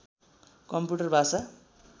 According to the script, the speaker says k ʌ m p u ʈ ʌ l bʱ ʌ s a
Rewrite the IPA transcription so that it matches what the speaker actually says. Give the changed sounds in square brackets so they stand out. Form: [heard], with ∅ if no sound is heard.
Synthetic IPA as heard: k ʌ m p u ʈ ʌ [r] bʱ [a] s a